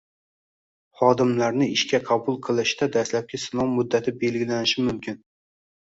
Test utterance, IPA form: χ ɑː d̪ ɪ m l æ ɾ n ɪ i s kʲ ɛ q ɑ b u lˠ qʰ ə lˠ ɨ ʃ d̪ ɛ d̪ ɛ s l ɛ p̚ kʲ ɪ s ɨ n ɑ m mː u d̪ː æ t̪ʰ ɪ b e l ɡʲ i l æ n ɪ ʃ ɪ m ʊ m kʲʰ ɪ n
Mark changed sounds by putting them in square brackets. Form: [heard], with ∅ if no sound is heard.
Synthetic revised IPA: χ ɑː d̪ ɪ m l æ ɾ n ɪ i [ʃ] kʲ ɛ [qʰ] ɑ b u lˠ qʰ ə lˠ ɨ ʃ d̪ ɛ d̪ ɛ s l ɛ p̚ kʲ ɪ s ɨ n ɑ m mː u d̪ː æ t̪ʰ ɪ b e l ɡʲ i l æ n ɪ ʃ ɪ m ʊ m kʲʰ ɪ n

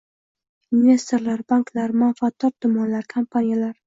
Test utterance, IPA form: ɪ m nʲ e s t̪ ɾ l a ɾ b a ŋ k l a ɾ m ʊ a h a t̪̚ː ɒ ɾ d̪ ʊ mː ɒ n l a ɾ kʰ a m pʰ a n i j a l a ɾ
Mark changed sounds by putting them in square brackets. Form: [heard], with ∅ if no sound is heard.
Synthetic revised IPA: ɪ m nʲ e s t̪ ɾ l a ɾ b a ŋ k l a ɾ m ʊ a [f] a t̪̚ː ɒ ɾ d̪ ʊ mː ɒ n l a ɾ kʰ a m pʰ a n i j a l a ɾ

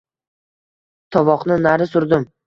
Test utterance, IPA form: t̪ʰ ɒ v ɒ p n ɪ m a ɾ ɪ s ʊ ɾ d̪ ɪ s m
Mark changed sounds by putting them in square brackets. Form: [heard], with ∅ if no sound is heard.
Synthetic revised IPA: t̪ʰ ɒ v ɒ [q] n ɪ [n] a ɾ ɪ s ʊ ɾ d̪ ɪ [∅] m

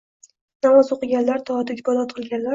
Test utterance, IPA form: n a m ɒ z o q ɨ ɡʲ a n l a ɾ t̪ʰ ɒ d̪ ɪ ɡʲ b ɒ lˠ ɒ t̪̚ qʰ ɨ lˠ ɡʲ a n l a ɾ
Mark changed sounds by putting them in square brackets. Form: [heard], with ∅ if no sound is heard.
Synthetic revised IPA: n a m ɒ z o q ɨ ɡʲ a n l a ɾ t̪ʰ ɒ d̪ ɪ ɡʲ b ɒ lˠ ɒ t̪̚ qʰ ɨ lˠ ɡʲ a n l a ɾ

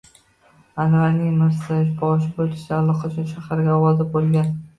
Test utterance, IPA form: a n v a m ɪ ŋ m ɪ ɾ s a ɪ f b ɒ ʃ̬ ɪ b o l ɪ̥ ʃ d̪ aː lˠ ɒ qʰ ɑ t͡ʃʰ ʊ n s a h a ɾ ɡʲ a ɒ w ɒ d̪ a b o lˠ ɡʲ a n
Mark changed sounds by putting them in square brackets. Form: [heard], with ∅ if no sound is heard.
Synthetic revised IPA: a n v a [n] ɪ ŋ m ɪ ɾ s a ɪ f b ɒ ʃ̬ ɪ b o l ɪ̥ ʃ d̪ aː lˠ ɒ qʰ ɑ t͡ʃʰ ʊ n [ʃ] a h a ɾ ɡʲ a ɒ w ɒ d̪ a b o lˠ ɡʲ a n

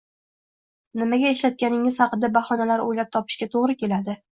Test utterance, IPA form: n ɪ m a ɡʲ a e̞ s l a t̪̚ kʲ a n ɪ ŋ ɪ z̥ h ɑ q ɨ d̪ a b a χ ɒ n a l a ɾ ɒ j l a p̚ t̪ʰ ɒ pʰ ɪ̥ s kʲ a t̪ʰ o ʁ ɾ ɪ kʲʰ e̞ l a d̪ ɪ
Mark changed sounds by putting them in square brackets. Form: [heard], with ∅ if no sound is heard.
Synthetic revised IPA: n ɪ m a ɡʲ a e̞ [ʃ] l a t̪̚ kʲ a n ɪ ŋ ɪ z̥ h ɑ q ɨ d̪ a b a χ ɒ n a l a ɾ [o] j l a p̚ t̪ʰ ɒ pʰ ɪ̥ [ʃ] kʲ a t̪ʰ o ʁ ɾ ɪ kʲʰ e̞ l a d̪ ɪ

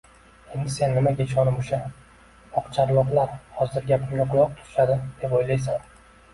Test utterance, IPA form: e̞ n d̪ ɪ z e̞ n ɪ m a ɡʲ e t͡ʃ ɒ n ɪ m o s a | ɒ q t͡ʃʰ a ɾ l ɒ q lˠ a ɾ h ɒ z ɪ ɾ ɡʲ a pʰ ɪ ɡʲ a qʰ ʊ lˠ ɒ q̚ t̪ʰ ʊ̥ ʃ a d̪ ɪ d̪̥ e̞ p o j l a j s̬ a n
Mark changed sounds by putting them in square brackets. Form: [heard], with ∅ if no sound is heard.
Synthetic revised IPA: e̞ n d̪ ɪ [s] e̞ [nː] ɪ m a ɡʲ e t͡ʃ ɒ n ɪ m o [ʃ] a | ɒ q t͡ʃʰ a ɾ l ɒ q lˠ a ɾ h ɒ z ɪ ɾ ɡʲ a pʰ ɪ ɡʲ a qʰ ʊ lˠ ɒ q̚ t̪ʰ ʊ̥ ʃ a d̪ ɪ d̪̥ e̞ p o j l a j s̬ a n

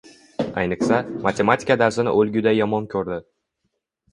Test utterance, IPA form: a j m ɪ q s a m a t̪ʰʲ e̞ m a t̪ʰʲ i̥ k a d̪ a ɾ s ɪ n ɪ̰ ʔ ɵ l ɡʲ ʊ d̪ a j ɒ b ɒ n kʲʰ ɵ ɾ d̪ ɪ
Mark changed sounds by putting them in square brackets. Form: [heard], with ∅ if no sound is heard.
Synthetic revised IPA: a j [n] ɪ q s a m a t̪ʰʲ e̞ m a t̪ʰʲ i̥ k a d̪ a ɾ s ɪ n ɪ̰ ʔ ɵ l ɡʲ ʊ d̪ a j ɒ [m] ɒ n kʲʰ ɵ ɾ d̪ ɪ

